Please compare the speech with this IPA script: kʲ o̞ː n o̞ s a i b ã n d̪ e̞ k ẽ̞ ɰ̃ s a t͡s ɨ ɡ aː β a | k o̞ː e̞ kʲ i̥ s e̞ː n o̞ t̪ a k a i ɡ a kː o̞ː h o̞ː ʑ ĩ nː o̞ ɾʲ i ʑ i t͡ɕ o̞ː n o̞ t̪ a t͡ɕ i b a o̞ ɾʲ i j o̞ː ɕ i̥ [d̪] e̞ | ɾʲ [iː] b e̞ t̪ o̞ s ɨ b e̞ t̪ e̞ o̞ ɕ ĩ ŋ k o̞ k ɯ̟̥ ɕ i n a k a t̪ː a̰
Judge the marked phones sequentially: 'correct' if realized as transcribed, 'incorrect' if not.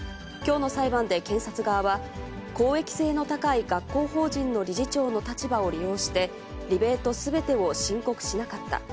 incorrect, incorrect

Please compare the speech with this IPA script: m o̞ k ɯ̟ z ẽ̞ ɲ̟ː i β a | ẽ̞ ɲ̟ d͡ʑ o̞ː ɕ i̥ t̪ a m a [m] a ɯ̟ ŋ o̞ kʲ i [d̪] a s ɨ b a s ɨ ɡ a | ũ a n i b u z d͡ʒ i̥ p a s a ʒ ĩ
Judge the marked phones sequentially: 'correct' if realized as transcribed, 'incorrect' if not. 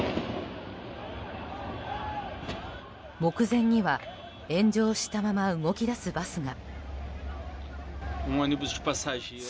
correct, correct

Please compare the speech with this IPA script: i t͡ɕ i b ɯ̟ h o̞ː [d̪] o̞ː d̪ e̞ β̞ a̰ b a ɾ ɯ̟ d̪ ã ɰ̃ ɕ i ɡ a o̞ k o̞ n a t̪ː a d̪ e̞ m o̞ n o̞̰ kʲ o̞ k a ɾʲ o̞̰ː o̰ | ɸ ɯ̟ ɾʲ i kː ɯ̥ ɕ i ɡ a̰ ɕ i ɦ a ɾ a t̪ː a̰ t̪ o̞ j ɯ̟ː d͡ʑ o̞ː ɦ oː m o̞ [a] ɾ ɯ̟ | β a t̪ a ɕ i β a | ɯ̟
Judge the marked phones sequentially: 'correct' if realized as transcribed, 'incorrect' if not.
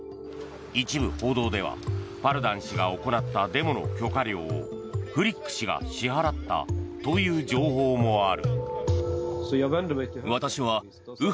correct, correct

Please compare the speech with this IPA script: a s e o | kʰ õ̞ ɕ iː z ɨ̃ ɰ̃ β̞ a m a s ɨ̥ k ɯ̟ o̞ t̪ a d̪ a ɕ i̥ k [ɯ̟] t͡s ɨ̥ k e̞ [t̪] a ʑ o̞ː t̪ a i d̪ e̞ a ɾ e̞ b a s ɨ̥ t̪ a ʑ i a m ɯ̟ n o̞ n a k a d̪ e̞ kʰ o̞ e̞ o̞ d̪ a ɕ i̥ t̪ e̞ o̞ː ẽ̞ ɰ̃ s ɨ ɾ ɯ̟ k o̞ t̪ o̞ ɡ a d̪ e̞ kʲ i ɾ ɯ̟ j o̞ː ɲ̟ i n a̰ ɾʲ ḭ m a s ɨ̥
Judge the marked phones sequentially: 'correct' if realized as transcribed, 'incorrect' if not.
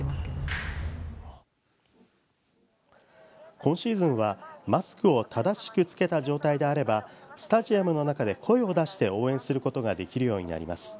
correct, correct

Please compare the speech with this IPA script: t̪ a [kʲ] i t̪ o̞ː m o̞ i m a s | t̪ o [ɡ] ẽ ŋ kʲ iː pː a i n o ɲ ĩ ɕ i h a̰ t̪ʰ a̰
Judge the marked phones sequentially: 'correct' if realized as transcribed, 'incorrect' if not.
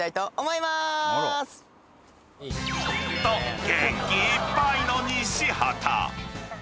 incorrect, correct

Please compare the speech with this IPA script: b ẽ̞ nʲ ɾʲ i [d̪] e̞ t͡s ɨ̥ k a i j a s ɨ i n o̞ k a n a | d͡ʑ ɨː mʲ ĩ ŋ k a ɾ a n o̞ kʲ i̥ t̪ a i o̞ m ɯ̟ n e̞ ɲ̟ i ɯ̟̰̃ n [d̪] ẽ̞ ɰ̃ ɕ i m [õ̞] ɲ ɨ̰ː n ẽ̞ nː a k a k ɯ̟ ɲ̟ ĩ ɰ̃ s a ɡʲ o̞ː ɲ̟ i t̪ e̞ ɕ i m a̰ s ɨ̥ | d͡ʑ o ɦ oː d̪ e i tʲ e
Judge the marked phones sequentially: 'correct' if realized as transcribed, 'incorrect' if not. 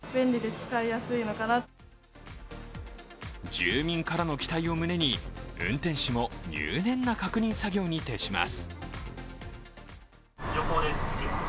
correct, incorrect, incorrect

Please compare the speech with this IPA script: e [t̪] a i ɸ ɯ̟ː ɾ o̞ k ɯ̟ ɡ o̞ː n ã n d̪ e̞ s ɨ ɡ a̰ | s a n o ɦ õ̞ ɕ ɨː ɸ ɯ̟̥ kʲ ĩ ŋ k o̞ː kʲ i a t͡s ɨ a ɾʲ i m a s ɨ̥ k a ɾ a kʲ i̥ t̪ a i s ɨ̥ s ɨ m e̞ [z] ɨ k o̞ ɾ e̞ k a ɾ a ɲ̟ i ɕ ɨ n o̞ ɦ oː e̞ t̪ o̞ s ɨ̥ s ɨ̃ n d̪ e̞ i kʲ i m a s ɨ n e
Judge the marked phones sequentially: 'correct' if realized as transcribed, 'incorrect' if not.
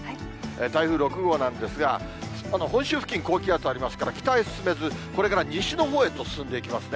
correct, correct

